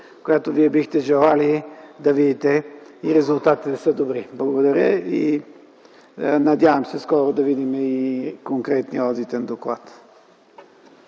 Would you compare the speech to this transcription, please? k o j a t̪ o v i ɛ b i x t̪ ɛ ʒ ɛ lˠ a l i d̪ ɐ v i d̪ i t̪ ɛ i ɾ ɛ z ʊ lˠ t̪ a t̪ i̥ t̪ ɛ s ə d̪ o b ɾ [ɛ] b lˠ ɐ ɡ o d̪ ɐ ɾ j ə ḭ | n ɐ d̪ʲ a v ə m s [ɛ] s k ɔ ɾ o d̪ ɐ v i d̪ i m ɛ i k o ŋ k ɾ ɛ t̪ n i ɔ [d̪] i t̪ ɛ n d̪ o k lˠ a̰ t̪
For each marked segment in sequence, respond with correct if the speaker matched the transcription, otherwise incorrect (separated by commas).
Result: incorrect, correct, correct